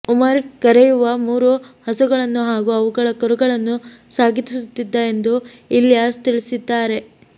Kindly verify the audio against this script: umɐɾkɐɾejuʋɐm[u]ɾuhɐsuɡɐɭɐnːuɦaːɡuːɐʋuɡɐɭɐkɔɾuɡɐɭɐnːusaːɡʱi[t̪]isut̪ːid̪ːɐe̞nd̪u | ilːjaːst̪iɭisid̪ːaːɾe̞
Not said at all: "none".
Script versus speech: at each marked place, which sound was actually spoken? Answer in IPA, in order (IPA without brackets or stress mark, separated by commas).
uː, t̪